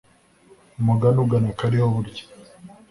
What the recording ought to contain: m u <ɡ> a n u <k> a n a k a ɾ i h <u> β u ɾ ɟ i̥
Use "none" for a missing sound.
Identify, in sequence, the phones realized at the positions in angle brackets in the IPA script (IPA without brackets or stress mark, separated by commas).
ɡ, ɡ, o